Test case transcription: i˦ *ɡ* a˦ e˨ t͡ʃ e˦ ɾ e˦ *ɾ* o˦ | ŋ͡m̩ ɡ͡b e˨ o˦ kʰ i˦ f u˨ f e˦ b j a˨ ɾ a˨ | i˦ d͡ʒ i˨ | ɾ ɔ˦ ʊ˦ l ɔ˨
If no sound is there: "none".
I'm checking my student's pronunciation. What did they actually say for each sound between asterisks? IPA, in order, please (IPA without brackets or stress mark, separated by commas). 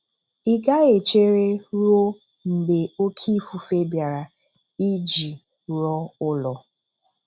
ɡ, ɾ